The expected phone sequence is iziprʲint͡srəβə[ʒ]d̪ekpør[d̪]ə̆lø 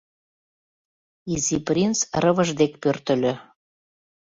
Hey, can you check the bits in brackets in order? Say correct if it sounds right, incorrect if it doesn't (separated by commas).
correct, incorrect